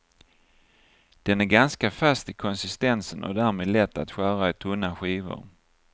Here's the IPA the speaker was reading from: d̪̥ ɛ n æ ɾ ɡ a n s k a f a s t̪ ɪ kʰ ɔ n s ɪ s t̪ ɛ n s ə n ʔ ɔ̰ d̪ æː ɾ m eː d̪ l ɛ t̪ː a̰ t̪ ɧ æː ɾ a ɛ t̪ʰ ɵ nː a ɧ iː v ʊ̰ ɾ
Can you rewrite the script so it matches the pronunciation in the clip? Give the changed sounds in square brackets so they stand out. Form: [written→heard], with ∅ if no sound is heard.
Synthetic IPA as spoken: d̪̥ ɛ n æ ɾ ɡ a n s k a f a s t̪ ɪ kʰ ɔ n s ɪ s t̪ ɛ n s ə n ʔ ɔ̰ d̪ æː ɾ m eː d̪ l ɛ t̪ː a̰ t̪ ɧ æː ɾ a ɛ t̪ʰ ɵ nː a ɧ iː v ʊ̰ ɾ

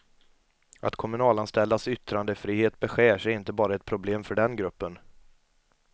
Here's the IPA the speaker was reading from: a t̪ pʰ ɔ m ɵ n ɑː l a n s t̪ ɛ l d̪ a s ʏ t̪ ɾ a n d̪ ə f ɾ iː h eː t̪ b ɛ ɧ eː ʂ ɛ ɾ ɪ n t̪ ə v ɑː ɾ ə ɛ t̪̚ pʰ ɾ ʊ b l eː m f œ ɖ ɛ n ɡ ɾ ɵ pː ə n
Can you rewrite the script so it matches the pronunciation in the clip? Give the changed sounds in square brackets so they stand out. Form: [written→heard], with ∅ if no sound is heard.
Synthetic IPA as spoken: a t̪ [pʰ→kʰ] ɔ m ɵ n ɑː l a n s t̪ ɛ l d̪ a s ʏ t̪ ɾ a n d̪ ə f ɾ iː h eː t̪ b ɛ ɧ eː ʂ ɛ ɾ ɪ n t̪ ə [v→b] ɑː ɾ [ə→a] ɛ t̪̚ pʰ ɾ ʊ b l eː m f œ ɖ ɛ n ɡ ɾ ɵ pː ə n

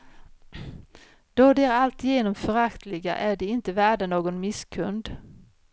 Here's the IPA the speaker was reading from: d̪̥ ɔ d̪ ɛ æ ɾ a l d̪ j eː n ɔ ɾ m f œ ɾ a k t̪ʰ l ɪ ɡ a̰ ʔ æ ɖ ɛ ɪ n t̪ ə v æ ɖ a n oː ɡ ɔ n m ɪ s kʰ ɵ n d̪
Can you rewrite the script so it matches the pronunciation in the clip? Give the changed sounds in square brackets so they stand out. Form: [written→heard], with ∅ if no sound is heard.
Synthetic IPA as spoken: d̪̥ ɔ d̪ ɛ æ ɾ a l [d̪→t̪] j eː n ɔ [ɾ→∅] m f œ ɾ a k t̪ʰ l ɪ ɡ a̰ ʔ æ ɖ ɛ ɪ n t̪ ə v [æ→æː] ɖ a n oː ɡ ɔ n m ɪ s kʰ ɵ n d̪

